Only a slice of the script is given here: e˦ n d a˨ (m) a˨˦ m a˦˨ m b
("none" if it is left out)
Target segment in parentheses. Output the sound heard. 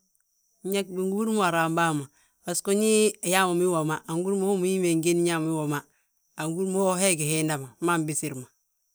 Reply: m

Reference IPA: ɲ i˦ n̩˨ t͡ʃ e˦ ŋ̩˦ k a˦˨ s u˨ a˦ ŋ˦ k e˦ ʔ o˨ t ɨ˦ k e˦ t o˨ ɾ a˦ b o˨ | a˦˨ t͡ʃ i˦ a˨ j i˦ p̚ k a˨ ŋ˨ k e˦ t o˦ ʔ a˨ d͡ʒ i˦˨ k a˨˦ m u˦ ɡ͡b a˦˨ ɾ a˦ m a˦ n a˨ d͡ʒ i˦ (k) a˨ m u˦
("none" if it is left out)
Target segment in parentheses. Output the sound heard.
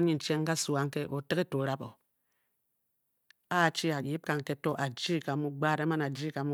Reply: k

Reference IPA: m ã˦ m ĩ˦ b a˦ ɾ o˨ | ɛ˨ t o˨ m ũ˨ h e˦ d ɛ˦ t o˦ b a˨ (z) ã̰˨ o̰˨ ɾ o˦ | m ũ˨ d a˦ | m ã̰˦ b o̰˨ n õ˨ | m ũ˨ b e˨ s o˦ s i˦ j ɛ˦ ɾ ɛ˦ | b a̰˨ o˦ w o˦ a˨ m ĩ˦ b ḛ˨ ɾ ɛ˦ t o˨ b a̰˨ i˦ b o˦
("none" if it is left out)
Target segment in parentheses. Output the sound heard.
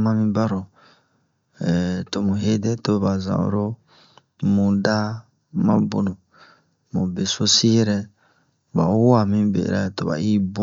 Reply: z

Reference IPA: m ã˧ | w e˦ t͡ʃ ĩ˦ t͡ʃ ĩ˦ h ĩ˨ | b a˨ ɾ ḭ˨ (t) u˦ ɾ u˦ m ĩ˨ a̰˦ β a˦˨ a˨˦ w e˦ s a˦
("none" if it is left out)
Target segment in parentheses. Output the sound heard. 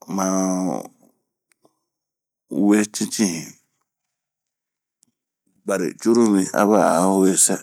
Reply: t͡ʃ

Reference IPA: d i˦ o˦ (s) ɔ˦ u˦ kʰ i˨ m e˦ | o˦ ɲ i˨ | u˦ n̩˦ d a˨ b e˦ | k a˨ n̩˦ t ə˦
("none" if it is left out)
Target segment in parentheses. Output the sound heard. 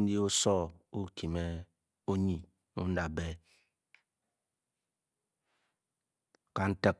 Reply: s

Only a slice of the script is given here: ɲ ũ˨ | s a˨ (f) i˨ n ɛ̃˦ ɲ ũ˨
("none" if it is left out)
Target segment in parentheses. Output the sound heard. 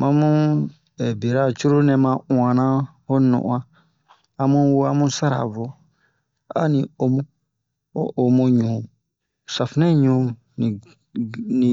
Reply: f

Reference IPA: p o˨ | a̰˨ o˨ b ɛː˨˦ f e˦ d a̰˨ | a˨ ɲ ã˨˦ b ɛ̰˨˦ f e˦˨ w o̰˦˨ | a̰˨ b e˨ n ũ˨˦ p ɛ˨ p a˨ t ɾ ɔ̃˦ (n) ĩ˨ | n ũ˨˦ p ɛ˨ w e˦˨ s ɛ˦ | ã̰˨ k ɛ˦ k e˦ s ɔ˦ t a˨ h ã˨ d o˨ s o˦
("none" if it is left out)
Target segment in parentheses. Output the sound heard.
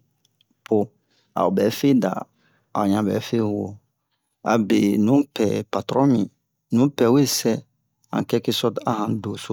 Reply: m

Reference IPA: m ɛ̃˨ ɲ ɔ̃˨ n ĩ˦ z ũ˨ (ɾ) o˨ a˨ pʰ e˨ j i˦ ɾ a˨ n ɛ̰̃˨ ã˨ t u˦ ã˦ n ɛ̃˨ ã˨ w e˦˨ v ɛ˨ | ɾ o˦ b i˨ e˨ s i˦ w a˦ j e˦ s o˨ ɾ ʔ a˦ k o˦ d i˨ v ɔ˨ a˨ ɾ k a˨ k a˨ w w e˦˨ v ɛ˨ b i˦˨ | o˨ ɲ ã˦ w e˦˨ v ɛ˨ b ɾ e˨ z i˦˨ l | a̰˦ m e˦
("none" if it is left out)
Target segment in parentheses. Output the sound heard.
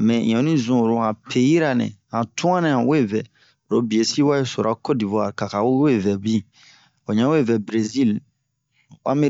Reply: ɾ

